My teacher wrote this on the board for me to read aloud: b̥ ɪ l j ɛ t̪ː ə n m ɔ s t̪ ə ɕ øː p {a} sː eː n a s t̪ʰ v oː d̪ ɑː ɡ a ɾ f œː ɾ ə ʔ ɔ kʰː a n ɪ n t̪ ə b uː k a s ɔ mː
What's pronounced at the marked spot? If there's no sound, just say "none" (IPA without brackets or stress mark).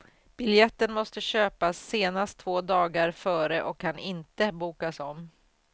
a